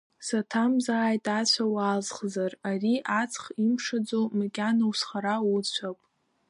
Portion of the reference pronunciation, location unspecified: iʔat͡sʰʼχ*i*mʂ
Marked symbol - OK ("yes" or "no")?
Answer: yes